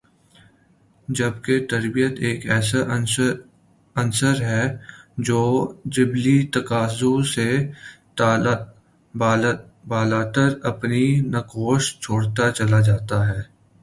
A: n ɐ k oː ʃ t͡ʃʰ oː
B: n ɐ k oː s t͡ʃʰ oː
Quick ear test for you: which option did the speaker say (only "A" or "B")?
A